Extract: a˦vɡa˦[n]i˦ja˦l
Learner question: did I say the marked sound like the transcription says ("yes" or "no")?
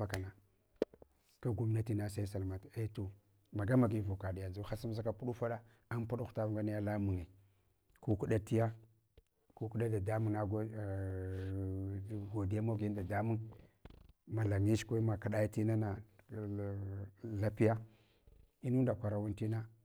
yes